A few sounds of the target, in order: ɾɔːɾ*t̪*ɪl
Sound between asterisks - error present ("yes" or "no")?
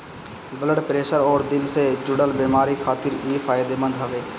yes